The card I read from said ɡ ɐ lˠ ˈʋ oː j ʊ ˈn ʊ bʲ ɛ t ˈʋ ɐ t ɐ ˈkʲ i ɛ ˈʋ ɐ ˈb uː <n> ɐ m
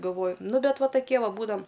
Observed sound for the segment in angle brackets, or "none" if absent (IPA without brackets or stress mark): d